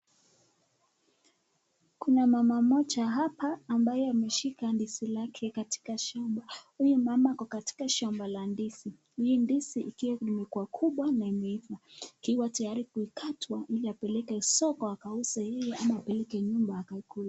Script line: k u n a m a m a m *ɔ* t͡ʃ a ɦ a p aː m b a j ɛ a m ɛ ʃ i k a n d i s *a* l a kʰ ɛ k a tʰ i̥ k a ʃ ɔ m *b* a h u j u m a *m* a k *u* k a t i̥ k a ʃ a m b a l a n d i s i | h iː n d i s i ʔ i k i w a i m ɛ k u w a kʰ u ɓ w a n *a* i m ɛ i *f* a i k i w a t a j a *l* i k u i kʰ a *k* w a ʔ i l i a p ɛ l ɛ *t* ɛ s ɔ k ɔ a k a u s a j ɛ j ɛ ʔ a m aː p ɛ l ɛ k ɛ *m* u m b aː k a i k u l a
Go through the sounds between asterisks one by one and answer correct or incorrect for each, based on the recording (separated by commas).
correct, incorrect, correct, correct, incorrect, correct, correct, incorrect, incorrect, incorrect, incorrect